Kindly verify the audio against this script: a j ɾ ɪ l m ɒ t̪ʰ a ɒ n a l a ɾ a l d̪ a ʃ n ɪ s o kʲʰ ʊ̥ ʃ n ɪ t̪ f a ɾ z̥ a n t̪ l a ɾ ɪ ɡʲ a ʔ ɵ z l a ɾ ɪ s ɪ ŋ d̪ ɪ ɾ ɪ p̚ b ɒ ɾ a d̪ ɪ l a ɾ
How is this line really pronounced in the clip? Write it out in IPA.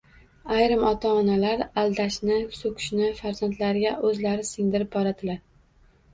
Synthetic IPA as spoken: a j ɾ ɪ m ɒ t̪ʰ a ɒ n a l a ɾ a l d̪ a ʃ n ɪ s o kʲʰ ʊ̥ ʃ n ɪ f a ɾ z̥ a n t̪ l a ɾ ɪ ɡʲ a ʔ ɵ z l a ɾ ɪ s ɪ ŋ d̪ ɪ ɾ ɪ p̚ b ɒ ɾ a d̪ ɪ l a ɾ